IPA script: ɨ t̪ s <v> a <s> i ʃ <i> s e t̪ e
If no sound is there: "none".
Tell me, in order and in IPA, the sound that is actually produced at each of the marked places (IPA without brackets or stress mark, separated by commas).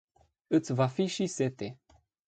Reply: v, f, i